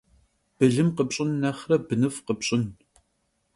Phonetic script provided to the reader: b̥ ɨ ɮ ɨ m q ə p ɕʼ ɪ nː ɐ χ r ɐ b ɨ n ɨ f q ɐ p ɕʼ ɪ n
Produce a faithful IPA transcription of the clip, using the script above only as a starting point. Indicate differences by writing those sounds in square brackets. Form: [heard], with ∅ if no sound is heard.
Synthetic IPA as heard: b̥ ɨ ɮ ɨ m q ə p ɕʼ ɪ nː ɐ χ r ɐ b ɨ n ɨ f q [ə] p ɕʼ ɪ n